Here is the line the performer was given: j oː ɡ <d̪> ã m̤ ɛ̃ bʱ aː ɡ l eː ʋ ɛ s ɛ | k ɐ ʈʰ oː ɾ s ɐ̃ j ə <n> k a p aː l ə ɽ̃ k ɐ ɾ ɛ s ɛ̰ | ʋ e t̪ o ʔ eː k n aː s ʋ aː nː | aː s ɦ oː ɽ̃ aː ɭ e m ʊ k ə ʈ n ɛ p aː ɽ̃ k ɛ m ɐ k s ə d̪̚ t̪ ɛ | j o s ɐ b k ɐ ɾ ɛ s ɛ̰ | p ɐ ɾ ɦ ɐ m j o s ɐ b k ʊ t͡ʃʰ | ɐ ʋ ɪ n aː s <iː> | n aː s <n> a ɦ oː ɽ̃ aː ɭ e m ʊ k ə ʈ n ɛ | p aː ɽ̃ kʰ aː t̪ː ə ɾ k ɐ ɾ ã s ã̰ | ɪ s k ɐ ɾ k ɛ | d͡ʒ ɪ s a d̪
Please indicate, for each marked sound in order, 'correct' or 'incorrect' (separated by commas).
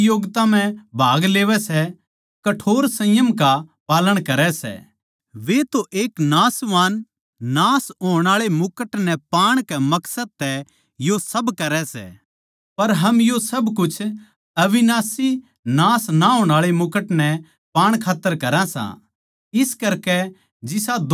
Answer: incorrect, incorrect, incorrect, correct